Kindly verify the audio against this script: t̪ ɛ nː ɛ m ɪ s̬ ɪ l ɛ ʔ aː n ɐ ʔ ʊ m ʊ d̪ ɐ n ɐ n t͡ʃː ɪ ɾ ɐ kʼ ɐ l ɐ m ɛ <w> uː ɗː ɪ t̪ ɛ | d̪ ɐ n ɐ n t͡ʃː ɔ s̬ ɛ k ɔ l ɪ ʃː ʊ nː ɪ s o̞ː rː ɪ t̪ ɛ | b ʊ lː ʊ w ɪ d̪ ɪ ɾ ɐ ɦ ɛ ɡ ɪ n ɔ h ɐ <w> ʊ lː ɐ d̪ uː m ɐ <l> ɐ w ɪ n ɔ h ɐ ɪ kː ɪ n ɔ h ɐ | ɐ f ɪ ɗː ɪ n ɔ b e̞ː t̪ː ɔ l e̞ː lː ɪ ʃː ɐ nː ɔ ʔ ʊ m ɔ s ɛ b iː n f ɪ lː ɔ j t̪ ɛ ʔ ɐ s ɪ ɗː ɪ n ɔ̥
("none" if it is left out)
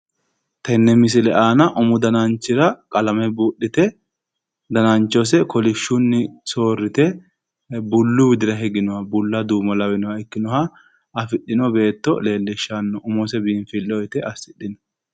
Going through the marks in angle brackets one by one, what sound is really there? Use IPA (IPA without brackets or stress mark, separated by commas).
b, b, l